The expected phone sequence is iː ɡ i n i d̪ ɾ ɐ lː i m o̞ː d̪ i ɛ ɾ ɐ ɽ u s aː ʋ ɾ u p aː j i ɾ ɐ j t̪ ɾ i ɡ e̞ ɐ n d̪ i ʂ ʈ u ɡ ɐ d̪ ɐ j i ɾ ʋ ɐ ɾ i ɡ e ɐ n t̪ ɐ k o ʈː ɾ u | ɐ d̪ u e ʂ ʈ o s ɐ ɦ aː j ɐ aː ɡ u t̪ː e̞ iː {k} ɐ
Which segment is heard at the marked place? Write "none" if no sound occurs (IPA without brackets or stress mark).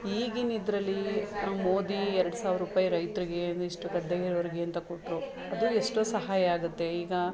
ɡ